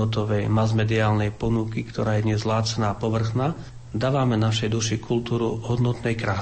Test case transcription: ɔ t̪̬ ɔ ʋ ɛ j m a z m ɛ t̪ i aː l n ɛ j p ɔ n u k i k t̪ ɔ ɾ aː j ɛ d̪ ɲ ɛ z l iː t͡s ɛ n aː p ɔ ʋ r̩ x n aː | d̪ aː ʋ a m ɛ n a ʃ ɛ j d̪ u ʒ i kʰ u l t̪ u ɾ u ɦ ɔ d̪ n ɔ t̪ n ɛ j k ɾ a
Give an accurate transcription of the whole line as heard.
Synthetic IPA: ɔ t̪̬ ɔ ʋ ɛ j m a z m ɛ d̪ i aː l n ɛ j p ɔ n u k i k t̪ ɔ ɾ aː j ɛ d̪ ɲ ɛ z l aː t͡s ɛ n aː p ɔ ʋ r̩ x n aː | d̪ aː ʋ a m ɛ n a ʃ ɛ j d̪ u ʃ i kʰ u l t̪ uː ɾ u ɦ ɔ d̪ n ɔ t̪ n ɛ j k ɾ a